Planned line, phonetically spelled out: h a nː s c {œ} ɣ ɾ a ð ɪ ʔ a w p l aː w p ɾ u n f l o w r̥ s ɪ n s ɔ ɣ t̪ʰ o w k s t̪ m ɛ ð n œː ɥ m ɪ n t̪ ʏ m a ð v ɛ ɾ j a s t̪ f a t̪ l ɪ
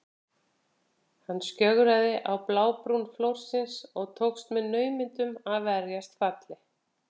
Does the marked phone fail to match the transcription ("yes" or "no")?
no